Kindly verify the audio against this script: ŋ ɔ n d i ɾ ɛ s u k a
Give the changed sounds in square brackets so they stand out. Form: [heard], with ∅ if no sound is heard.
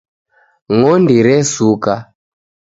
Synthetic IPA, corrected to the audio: ŋ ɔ n d i ɾ ɛ s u k a